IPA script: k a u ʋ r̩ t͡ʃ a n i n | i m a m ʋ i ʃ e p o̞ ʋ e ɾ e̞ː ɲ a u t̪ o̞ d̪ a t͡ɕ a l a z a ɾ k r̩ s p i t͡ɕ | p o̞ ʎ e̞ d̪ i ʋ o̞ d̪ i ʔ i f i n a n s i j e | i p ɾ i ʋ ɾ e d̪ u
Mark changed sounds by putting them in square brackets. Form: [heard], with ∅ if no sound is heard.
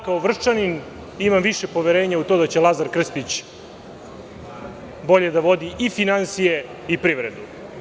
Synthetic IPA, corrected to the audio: k a [o] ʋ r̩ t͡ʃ a n i n | i m a m ʋ i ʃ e p o̞ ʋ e ɾ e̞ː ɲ a u t̪ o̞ d̪ a t͡ɕ [e] l a z a ɾ k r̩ s p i t͡ɕ | [b] o̞ ʎ e̞ d̪ [a] ʋ o̞ d̪ i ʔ i f i n a n s i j e | i p ɾ i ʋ ɾ e d̪ u